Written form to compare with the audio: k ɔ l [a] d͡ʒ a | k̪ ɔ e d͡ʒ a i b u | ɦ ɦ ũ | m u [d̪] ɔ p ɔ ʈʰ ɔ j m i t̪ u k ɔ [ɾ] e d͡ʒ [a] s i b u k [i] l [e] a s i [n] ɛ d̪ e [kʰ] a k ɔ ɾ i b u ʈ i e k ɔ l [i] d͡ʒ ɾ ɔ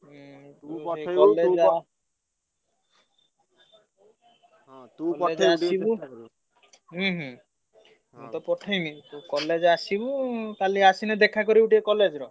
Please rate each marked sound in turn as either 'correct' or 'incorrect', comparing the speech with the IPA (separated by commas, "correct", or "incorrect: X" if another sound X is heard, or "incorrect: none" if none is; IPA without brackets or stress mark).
incorrect: e, incorrect: t̪, incorrect: l, correct, incorrect: a, incorrect: i, correct, correct, incorrect: e